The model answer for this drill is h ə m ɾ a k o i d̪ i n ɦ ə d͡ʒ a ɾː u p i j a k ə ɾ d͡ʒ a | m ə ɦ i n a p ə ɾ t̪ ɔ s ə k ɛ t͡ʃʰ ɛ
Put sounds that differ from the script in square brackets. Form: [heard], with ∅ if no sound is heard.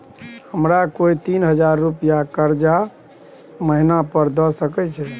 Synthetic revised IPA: h ə m ɾ a k o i [t̪] i n ɦ ə d͡ʒ a ɾː u p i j a k ə ɾ d͡ʒ a | m ə ɦ i n a p ə ɾ [d̪] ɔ s ə k ɛ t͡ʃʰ ɛ

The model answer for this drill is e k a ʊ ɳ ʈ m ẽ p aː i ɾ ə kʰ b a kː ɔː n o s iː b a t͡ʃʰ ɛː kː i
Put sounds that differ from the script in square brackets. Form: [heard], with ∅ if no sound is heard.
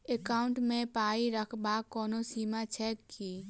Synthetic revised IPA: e k a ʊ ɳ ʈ m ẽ p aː i ɾ ə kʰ b a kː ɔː n o s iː [m] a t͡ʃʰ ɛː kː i

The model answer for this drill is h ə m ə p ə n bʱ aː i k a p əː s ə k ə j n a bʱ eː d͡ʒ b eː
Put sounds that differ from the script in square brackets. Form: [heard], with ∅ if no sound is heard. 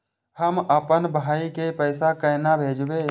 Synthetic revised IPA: h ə m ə p ə n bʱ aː i k [e] p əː s [a] k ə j n a bʱ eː d͡ʒ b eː

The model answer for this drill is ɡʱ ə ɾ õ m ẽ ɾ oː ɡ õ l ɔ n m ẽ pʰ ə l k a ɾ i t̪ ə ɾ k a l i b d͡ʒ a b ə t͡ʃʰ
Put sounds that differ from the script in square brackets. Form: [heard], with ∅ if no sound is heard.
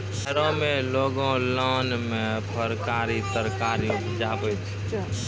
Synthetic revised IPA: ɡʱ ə ɾ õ m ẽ [l] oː ɡ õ l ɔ n m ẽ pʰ ə [ɾ] k a ɾ i t̪ ə ɾ k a [ɾ] i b d͡ʒ a b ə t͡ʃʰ

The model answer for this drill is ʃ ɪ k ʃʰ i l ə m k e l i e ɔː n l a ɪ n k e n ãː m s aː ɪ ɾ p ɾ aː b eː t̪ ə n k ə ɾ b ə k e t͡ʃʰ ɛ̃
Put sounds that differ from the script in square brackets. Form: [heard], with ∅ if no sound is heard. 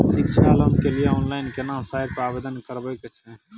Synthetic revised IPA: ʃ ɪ k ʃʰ [a] l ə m k e l i e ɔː n l a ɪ n k e n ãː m s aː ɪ ɾ p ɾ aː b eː [d̪] ə n k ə ɾ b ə k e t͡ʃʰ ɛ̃

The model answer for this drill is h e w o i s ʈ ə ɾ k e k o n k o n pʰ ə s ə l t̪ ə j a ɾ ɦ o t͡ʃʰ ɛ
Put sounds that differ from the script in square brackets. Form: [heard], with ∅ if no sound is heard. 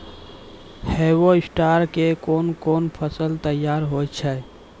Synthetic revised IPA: h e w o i s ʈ [a] ɾ k e k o n k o n pʰ ə s ə l t̪ ə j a ɾ ɦ o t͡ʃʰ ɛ

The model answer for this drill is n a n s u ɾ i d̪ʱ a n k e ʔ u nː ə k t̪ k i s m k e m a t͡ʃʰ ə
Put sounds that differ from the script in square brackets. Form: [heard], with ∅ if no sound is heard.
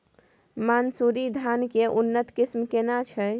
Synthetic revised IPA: [m] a n s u ɾ i d̪ʱ a n k e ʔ u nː ə [∅] t̪ k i s m k e [n] a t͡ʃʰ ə

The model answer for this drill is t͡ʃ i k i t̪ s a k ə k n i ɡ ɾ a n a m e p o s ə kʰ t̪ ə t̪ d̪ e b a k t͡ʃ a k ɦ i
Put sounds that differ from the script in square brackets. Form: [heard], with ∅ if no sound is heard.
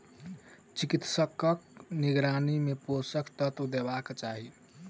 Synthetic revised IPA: t͡ʃ i k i t̪ s [ə] k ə k n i ɡ ɾ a n [i] m e p o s ə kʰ t̪ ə t̪ d̪ e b a k t͡ʃ a [∅] ɦ i

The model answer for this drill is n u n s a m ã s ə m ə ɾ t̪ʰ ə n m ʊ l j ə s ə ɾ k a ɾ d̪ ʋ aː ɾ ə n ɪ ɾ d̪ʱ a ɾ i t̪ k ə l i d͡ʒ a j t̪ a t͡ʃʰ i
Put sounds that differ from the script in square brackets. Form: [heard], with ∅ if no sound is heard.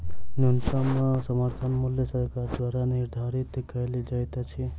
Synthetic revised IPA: n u n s a m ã s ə m ə ɾ t̪ʰ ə n m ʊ l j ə s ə ɾ k a ɾ d̪ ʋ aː ɾ [a] n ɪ ɾ d̪ʱ a ɾ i t̪ k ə l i d͡ʒ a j t̪ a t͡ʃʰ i

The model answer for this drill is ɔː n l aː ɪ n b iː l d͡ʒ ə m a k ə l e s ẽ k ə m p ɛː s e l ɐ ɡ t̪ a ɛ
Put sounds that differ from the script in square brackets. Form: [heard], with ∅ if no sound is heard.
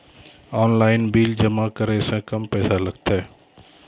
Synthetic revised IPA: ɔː n l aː ɪ n b iː l d͡ʒ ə m a k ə [ɾ] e s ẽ k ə m p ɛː s [a] l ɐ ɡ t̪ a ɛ

